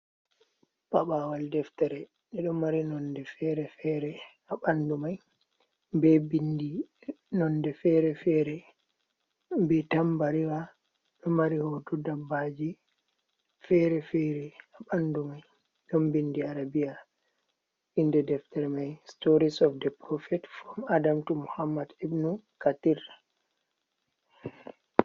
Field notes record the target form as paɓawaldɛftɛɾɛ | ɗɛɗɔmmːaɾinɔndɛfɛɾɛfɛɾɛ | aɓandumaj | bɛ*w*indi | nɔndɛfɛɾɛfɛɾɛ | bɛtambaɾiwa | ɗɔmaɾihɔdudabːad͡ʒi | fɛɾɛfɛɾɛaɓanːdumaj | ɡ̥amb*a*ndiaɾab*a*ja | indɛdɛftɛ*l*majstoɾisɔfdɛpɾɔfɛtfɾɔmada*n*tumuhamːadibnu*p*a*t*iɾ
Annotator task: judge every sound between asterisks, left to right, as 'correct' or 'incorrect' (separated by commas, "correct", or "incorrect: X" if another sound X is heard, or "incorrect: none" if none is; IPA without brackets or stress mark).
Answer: incorrect: b, incorrect: i, incorrect: i, incorrect: ɾ, incorrect: m, incorrect: k, correct